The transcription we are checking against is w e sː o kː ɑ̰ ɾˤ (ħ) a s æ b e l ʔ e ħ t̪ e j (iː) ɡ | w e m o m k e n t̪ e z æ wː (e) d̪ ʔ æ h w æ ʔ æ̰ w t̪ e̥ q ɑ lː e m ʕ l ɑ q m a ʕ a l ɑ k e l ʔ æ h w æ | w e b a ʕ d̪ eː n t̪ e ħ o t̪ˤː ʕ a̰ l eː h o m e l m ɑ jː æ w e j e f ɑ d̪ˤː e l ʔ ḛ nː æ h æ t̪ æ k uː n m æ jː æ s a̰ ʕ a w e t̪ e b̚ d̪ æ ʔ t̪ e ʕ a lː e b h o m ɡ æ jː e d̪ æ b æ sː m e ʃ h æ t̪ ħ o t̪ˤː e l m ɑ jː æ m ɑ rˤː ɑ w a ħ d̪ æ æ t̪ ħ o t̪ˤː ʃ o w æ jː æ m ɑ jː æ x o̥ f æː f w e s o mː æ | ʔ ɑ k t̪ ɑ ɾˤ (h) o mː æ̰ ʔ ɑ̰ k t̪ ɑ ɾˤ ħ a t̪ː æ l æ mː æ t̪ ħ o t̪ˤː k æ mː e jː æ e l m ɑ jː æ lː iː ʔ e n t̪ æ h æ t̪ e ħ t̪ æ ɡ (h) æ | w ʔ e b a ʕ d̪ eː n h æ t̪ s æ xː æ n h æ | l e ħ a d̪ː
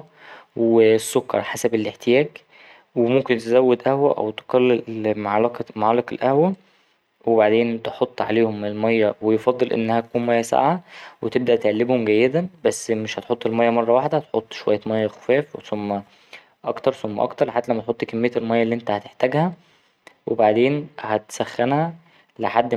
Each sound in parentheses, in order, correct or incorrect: correct, incorrect, correct, incorrect, correct

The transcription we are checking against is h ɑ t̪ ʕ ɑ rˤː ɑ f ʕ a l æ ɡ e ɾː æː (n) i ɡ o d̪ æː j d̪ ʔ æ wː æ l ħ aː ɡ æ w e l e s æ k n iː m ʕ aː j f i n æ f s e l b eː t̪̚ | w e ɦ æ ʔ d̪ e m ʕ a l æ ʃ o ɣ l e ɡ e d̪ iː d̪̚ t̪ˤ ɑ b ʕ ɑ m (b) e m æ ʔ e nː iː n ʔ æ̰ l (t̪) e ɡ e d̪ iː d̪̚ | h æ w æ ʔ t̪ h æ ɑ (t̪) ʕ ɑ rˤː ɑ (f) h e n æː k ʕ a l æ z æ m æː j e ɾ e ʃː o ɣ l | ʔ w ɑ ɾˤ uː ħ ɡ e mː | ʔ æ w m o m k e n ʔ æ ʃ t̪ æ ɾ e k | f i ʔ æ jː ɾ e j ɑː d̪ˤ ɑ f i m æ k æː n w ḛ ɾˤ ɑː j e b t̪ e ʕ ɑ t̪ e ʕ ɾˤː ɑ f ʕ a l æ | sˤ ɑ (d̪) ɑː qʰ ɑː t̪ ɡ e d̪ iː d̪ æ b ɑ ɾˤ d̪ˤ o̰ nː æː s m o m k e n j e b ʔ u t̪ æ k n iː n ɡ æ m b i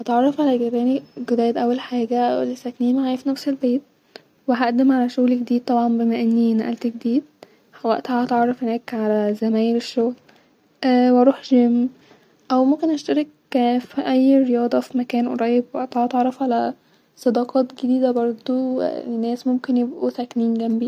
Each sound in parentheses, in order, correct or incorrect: correct, correct, correct, correct, correct, correct

